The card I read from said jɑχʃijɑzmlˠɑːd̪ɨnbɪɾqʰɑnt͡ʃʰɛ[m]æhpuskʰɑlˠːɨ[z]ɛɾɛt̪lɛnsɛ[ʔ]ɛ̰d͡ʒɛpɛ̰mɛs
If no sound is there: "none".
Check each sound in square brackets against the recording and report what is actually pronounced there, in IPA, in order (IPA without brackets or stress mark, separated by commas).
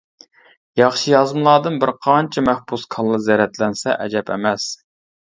m, z, ʔ